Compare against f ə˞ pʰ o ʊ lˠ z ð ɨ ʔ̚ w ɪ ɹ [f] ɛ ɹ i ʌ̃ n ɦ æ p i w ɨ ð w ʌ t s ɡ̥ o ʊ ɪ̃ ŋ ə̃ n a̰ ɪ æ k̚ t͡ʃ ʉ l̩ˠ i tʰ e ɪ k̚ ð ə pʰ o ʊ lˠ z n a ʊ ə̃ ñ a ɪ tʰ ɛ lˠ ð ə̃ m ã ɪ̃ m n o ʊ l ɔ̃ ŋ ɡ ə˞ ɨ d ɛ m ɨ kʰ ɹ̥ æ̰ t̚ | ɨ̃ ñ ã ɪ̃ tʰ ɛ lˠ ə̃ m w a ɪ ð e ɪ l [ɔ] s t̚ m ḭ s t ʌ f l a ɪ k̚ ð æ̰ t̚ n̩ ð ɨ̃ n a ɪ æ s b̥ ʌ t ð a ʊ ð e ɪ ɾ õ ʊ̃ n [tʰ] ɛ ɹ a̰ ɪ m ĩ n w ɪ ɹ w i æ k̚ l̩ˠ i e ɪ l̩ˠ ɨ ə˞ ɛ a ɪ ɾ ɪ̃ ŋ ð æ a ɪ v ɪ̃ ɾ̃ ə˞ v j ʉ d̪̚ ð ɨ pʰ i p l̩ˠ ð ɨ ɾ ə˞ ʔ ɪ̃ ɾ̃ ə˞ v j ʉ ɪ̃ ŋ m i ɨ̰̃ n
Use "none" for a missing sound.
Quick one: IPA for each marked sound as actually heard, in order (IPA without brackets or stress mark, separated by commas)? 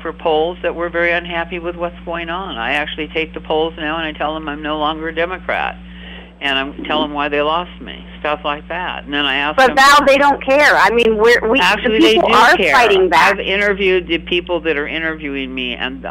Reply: v, ɔ, kʰ